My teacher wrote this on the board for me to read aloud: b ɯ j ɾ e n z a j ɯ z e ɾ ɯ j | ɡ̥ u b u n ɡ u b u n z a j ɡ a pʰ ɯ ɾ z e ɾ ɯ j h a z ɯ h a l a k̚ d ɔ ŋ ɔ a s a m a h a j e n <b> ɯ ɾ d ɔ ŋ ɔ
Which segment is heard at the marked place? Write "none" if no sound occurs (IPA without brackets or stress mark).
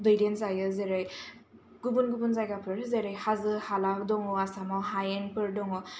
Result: p